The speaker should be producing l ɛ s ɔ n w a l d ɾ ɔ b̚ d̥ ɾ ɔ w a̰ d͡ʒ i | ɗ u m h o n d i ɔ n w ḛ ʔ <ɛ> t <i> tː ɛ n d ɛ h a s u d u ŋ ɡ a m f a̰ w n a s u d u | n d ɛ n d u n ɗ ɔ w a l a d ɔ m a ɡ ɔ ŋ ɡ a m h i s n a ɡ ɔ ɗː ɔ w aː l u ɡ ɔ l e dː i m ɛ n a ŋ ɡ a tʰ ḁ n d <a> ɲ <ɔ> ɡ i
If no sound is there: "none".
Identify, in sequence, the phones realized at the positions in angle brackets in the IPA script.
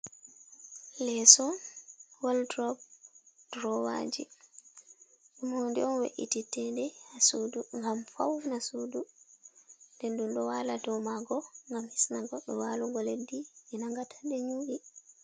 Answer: i, i, ɛ, u

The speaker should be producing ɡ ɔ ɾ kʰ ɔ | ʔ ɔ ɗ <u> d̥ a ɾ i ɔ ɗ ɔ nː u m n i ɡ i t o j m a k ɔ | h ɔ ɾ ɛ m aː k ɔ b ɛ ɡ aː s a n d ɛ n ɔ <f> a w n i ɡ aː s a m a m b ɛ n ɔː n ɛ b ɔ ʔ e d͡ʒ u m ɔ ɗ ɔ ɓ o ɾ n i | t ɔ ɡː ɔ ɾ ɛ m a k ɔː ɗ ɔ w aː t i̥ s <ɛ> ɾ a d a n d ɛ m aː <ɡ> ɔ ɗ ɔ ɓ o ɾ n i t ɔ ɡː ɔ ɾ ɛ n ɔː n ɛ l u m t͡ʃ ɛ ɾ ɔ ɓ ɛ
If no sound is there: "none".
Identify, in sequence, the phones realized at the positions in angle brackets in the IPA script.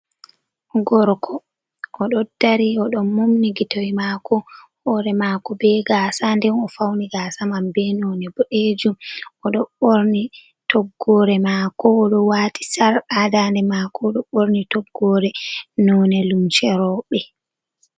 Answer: ɔ, f, a, k

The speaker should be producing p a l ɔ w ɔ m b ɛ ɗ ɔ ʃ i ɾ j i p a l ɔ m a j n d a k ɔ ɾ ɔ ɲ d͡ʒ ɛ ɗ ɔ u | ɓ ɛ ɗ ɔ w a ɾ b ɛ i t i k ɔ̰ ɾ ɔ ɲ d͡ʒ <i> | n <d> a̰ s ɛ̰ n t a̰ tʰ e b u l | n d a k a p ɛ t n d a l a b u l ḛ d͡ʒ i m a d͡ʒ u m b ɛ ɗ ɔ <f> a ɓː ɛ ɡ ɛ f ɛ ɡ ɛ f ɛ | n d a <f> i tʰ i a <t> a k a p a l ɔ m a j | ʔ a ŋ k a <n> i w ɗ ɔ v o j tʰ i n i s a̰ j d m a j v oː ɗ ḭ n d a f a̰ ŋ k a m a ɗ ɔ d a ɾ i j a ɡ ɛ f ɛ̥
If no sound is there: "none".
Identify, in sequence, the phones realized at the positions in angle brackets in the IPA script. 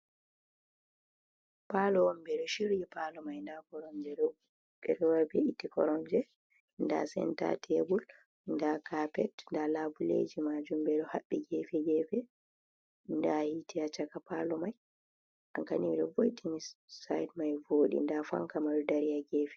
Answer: ɛ, d, h, h, t͡ʃ, n

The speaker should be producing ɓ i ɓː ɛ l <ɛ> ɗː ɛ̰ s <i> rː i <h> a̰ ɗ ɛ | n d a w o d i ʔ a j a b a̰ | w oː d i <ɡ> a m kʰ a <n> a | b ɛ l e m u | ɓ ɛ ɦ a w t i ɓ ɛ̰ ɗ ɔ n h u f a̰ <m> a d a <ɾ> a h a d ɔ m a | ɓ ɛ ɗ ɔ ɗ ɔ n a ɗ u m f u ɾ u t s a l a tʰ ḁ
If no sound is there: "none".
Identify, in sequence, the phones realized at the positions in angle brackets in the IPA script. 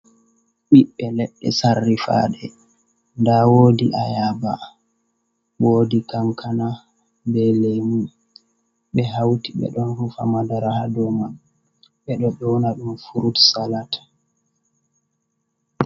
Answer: ɛ, a, f, k, n, m, ɾ

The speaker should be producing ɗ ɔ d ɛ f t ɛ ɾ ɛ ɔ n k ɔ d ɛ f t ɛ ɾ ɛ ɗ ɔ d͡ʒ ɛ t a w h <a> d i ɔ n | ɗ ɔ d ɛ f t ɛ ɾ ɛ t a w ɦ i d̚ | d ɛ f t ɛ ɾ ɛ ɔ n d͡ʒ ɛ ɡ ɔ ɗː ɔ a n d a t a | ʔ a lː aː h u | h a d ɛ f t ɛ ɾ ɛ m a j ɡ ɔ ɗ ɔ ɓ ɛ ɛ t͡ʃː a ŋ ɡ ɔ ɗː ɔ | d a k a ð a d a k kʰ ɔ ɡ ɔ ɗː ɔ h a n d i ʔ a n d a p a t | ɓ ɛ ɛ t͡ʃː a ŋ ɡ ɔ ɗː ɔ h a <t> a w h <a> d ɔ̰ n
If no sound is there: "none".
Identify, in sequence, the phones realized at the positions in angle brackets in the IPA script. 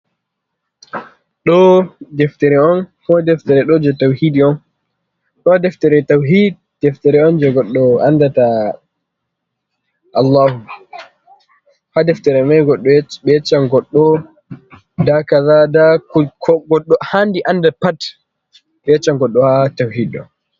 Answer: i, t, i

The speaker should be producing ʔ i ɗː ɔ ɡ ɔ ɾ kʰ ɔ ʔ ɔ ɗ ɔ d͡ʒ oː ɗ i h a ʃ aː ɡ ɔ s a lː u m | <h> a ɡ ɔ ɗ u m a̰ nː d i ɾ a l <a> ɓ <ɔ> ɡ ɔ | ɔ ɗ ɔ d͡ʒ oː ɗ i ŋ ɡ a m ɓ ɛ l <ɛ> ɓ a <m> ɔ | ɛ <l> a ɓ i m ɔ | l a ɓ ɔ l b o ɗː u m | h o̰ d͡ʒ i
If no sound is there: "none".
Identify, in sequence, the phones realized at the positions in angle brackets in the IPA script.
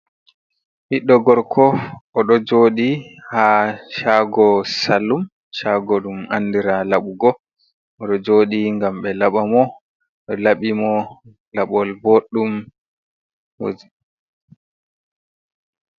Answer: ʃ, a, u, a, m, l

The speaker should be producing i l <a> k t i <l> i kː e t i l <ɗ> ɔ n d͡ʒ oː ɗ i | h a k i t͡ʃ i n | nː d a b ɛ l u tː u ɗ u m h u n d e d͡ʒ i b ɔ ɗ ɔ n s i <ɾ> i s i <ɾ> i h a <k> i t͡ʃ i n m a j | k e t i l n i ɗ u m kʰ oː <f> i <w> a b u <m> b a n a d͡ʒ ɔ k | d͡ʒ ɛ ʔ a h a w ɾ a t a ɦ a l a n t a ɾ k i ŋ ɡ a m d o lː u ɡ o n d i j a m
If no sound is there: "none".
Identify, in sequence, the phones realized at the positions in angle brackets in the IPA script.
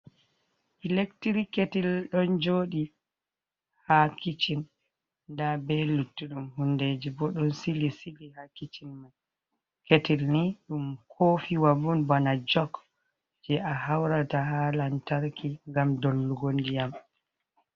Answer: e, ɾ, ɗ, l, l, k, f, w, n

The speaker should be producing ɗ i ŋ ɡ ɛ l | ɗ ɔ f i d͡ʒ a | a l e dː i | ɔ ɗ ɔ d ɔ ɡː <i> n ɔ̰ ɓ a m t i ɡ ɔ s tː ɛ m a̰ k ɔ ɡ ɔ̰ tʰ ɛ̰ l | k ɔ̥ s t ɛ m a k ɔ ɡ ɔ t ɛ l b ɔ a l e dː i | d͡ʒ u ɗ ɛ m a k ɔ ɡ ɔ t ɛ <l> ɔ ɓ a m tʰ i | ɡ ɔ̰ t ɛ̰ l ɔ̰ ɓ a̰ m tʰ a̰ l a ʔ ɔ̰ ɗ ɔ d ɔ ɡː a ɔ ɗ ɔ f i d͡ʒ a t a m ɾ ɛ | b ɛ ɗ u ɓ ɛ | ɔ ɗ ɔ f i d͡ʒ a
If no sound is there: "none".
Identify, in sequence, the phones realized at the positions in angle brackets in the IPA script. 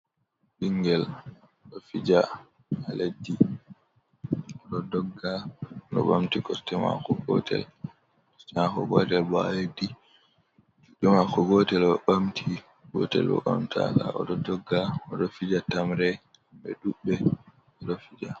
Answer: a, l

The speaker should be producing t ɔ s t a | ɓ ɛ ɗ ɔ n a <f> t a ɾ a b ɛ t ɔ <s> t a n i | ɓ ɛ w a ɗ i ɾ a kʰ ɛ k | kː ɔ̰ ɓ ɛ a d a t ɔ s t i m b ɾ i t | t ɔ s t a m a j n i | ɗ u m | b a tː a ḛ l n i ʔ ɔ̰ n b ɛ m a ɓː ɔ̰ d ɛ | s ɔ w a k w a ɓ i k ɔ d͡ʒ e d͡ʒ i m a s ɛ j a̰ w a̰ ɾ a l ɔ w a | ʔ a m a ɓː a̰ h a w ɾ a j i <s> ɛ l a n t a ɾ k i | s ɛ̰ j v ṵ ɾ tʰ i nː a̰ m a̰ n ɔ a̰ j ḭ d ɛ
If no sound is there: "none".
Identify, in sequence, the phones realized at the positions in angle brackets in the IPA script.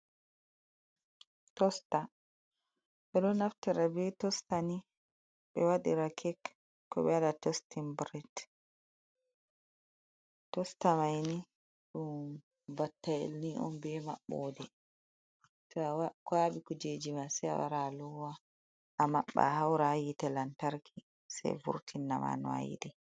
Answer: f, s, t

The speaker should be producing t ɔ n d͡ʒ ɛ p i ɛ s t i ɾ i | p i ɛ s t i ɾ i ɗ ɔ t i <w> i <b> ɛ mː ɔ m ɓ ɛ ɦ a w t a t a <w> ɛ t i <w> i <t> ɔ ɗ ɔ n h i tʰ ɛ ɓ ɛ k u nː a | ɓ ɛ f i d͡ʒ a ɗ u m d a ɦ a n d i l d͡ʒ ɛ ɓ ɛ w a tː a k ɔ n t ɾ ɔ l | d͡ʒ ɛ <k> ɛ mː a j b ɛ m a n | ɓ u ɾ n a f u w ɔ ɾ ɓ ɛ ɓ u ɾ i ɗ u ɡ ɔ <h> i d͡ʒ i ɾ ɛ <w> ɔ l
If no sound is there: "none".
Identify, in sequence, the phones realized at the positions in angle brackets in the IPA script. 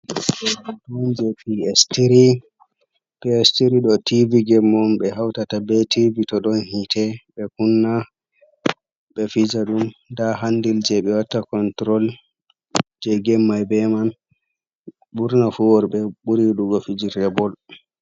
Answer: v, ɡ, b, v, t, ɡ, f, b

